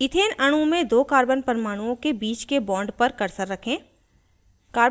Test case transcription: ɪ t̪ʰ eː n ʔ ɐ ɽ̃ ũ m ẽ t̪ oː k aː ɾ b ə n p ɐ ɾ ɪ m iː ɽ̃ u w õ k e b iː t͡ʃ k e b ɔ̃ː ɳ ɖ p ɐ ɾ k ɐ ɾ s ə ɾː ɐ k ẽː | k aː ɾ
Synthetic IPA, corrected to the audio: ɪ t̪ʰ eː n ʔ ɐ ɽ̃ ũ m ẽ d̪ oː k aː ɾ b ə n p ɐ ɾ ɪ m aː ɽ̃ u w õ k e b iː t͡ʃ k e b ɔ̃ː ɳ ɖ p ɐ ɾ k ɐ ɾ s ə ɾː ɐ kʰ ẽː | k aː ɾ